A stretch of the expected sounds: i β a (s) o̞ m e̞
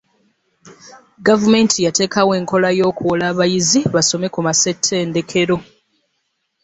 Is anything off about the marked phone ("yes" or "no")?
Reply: no